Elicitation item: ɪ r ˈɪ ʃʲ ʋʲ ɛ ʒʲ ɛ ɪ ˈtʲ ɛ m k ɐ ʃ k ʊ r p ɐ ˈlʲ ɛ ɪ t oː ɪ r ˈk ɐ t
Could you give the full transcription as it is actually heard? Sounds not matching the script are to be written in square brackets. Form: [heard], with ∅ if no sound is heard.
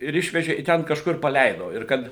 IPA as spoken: ɪ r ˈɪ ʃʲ ʋʲ ɛ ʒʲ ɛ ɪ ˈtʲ ɛ [n] k ɐ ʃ k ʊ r p ɐ ˈlʲ ɛ ɪ [d] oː ɪ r ˈk ɐ t